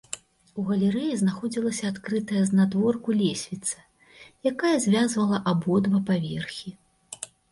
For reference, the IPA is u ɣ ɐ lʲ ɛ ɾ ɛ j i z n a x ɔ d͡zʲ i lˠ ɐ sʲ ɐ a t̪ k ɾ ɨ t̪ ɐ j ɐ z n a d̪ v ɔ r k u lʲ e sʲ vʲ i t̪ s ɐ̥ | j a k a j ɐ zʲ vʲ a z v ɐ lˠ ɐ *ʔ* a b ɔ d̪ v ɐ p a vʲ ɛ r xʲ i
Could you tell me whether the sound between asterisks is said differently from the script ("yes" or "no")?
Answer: no